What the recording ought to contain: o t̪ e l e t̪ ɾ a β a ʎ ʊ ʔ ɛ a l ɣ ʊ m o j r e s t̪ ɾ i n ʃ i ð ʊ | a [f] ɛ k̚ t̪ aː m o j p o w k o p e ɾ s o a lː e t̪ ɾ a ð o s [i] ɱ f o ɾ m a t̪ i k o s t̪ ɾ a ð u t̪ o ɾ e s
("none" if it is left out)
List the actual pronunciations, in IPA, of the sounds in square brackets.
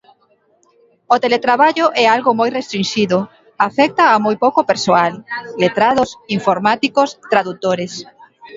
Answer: f, i

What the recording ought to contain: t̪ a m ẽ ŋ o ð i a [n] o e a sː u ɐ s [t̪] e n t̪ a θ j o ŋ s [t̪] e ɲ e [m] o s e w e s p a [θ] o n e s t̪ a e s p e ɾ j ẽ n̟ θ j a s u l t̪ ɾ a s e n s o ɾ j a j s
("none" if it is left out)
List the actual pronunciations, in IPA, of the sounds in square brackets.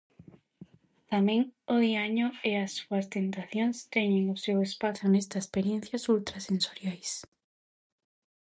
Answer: ɲ, t̪, t̪, ŋ, θ

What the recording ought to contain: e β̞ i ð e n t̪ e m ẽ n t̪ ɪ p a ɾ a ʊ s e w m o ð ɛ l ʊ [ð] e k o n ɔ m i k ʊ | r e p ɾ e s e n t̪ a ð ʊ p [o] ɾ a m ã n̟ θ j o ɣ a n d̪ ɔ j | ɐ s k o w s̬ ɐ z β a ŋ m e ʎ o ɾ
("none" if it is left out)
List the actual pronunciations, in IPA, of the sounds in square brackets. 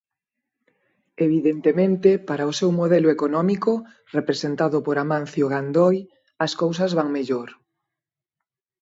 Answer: none, o

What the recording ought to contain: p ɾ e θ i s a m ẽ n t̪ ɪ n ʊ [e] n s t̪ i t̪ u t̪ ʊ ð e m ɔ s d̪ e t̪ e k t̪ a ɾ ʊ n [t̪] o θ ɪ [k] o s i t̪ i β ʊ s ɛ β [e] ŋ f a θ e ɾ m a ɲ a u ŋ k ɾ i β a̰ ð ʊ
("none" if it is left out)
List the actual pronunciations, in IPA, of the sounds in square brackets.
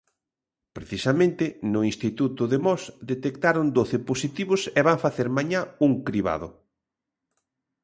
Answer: i, d̪, p, a

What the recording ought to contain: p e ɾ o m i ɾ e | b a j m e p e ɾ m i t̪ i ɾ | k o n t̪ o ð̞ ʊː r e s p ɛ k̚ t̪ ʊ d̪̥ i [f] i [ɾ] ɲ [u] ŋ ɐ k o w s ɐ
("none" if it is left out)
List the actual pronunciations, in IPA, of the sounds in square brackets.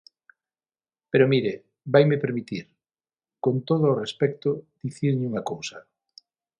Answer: θ, ɾ, u

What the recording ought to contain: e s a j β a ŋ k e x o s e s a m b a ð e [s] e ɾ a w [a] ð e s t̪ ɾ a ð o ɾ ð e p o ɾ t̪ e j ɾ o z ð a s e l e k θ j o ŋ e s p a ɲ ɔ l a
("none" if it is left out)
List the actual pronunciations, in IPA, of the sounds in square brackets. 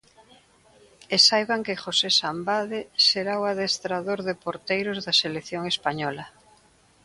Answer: s, a

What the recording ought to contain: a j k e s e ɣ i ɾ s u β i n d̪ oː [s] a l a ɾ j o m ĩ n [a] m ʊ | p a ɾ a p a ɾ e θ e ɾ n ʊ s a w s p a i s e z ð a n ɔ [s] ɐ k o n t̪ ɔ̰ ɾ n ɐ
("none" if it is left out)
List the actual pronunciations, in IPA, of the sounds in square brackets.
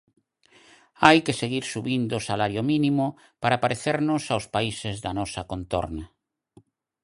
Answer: s, i, s

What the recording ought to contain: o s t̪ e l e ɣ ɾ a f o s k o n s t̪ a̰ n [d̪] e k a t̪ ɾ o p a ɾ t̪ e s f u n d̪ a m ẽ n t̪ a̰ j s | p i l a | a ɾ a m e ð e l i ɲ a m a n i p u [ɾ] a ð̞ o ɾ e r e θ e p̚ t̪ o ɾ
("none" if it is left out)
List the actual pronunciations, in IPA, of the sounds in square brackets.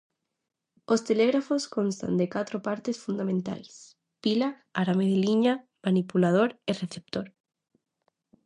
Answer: d̪, l

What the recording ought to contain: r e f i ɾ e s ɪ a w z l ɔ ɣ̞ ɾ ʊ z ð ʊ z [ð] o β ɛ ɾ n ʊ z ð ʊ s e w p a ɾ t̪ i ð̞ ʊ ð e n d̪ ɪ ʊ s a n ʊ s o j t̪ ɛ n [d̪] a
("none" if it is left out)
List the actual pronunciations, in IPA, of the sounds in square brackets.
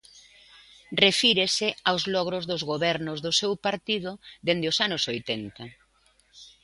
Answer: ɣ, t̪

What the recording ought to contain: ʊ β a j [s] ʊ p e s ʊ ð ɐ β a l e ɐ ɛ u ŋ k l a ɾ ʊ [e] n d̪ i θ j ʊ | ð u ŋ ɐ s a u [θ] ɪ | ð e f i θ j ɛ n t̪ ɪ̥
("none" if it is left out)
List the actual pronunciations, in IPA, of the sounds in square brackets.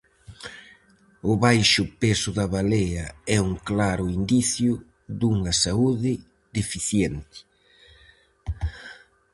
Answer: ʃ, i, ð

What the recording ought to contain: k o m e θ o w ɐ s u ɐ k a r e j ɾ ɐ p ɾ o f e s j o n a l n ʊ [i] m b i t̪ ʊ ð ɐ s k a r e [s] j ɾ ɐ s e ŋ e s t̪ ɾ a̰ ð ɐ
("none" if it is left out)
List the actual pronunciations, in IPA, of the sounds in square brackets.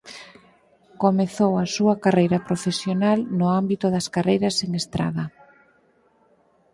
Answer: a, none

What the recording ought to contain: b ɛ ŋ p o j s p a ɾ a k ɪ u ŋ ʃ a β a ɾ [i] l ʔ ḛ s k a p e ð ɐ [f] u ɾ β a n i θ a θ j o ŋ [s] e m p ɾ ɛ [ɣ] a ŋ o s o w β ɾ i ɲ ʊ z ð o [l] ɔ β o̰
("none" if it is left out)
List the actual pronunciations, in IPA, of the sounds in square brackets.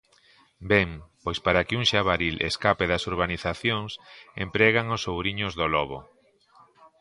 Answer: i, s, s, ɣ, l

